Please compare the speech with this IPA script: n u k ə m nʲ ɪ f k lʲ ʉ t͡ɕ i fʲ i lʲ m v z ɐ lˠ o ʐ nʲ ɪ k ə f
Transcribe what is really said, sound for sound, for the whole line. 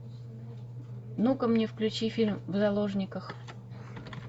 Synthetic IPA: n u k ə m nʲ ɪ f k lʲ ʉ t͡ɕ i fʲ i lʲ m v z ɐ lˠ o ʐ nʲ ɪ k ə x